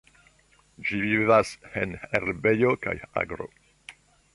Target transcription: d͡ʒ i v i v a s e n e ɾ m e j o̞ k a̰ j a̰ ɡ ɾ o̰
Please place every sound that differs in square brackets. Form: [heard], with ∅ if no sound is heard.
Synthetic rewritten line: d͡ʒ i v i v a s e n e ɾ [b] e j o̞ k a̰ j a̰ ɡ ɾ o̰